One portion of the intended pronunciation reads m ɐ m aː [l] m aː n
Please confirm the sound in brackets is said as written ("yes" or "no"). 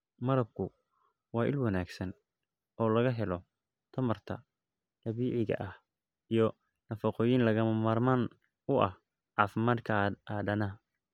no